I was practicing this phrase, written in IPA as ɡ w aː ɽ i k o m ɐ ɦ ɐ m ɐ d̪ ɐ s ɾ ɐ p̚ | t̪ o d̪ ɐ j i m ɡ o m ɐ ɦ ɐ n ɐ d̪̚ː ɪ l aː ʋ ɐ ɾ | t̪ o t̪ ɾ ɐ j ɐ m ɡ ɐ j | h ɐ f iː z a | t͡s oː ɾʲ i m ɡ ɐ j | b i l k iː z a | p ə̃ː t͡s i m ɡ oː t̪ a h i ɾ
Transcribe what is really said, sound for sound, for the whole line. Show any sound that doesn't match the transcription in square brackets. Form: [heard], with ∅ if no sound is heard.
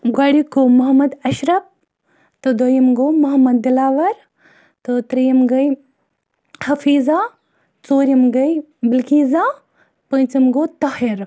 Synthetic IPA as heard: ɡ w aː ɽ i k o m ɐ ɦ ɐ m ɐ d̪ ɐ [ʃ] ɾ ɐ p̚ | t̪ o d̪ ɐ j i m ɡ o m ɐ ɦ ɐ [m] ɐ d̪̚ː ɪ l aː ʋ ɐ ɾ | t̪ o t̪ ɾ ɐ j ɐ m ɡ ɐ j | h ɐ f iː z a | t͡s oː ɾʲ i m ɡ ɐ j | b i l k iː z a | p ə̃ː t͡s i m ɡ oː t̪ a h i ɾ